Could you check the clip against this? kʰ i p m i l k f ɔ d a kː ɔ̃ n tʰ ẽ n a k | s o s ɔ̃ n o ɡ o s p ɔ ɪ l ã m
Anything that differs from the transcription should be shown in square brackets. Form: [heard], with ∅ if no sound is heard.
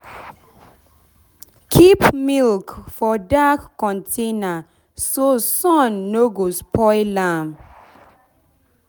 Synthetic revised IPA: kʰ i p m i l k f ɔ d a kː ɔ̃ n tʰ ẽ n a [∅] | s o s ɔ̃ [nː] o ɡ o s p ɔ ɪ l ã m